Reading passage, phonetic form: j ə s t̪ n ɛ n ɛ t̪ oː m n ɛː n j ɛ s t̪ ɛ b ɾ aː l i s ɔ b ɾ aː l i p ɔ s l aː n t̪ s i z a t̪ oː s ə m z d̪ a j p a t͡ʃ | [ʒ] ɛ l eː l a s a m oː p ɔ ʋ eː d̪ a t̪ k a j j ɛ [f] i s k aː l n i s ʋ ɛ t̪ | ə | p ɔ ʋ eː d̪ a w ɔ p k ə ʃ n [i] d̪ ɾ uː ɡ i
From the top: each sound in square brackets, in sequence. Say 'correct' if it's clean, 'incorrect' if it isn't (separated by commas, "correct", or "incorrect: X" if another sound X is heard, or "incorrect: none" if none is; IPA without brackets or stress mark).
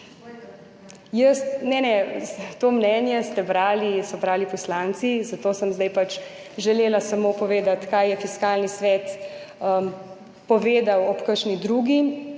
correct, correct, correct